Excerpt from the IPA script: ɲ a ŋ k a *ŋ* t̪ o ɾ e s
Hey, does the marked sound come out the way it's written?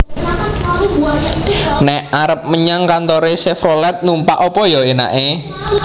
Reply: no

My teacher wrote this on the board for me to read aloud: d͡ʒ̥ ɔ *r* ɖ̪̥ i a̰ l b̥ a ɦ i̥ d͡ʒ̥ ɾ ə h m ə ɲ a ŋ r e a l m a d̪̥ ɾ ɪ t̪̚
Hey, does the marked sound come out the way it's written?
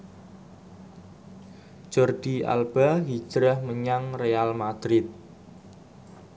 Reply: yes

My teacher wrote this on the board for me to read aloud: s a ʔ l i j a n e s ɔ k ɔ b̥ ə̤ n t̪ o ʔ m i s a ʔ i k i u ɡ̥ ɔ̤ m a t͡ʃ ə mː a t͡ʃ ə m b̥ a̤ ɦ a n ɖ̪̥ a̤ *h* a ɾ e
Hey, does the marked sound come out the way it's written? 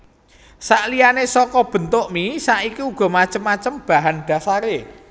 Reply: no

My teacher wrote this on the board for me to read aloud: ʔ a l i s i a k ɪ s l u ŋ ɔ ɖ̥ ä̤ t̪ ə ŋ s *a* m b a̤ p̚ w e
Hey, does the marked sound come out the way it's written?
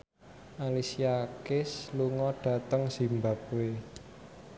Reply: no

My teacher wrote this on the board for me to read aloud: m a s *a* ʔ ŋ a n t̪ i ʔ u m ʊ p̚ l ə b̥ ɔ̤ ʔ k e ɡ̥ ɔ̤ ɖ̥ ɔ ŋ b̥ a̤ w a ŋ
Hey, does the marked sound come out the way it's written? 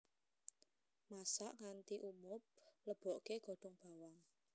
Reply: yes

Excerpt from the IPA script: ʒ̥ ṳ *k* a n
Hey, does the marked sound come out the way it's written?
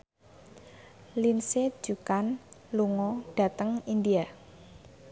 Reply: yes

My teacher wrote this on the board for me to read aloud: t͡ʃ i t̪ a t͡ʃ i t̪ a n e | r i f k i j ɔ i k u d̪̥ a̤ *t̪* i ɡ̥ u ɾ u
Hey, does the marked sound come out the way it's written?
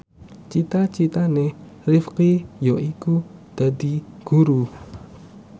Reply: no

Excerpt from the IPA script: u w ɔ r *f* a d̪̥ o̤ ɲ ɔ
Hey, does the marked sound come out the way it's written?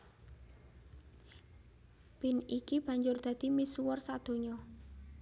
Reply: no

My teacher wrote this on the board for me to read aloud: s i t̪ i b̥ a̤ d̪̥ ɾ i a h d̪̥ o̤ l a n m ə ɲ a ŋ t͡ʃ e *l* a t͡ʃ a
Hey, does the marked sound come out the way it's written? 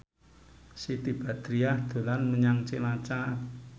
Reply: yes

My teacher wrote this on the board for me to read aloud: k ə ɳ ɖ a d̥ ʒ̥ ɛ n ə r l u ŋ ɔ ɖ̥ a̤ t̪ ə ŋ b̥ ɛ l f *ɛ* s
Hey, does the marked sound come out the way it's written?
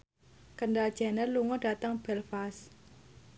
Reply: no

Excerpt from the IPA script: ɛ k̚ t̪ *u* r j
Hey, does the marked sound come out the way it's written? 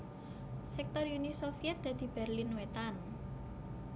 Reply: no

